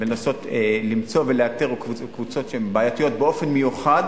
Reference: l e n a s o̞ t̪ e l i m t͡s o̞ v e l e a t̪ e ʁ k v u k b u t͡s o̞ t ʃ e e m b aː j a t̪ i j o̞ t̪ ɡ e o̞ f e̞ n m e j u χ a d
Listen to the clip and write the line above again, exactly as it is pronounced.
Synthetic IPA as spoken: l e n a s o̞ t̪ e l i m t͡s o̞ v e l e a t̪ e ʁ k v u k v u t͡s o̞ t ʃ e e m b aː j a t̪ i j o̞ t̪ b e o̞ f e̞ n m e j u χ a d